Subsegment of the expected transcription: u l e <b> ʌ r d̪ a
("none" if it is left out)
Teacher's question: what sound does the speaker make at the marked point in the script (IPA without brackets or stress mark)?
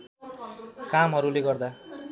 ɡ